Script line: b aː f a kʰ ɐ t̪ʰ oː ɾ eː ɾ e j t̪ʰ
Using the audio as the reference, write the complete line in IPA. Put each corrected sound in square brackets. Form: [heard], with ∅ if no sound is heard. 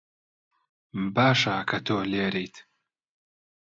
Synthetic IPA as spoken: b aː [ʃ] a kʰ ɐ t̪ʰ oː [l] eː ɾ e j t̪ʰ